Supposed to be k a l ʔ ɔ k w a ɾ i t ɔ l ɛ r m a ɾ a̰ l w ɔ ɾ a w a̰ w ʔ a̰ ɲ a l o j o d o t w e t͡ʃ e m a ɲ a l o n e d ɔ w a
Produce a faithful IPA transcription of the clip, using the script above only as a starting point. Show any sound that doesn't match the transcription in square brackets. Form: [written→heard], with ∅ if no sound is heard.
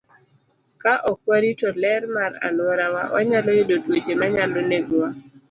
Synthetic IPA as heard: k a [l→∅] ʔ ɔ k w a ɾ i t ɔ l ɛ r m a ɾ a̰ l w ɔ ɾ a w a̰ w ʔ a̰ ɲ a l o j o d o t w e t͡ʃ e m a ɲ a l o n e [d→ɡ] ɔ w a

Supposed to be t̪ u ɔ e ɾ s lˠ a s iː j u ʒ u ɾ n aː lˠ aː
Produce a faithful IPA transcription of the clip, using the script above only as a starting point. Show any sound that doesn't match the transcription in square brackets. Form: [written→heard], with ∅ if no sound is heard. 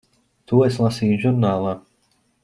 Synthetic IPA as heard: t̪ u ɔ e [ɾ→∅] s lˠ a s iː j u ʒ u ɾ n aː lˠ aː

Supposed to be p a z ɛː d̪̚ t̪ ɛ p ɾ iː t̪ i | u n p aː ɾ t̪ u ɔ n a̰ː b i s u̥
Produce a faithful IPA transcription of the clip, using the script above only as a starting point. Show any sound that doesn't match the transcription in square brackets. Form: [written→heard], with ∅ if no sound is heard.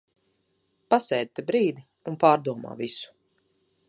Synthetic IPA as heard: p a [z→s] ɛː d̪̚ t̪ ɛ [p→b] ɾ iː [t̪→d̪] i | u n p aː ɾ [t̪→d̪] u ɔ [n→m] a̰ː [b→v] i s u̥

